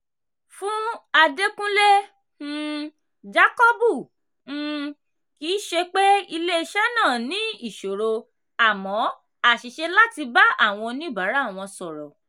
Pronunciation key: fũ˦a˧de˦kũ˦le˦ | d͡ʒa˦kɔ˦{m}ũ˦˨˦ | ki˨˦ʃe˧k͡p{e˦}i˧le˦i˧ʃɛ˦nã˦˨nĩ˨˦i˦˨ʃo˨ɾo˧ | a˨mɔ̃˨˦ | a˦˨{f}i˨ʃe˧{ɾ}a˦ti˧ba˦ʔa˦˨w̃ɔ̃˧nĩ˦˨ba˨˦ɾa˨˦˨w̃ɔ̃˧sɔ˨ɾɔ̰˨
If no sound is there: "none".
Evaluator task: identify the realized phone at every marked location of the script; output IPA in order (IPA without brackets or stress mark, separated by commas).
b, e˦, ʃ, l